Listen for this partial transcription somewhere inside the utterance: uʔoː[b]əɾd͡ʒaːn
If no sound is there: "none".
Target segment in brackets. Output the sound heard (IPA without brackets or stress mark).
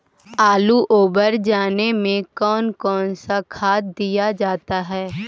b